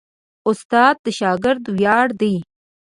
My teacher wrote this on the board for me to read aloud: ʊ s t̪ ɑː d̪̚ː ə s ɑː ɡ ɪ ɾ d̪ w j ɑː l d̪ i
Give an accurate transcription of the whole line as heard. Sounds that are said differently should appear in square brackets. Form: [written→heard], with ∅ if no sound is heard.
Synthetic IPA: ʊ s t̪ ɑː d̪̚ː ə [s→ʃ] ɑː ɡ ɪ ɾ d̪ w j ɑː [l→ɽ] d̪ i